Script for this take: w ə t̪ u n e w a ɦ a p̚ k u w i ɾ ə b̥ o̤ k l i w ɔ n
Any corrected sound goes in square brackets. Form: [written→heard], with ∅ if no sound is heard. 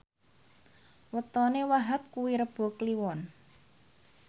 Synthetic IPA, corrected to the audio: w ə t̪ [u→ɔ] n e w a ɦ a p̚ k u w i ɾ ə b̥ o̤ k l i w ɔ n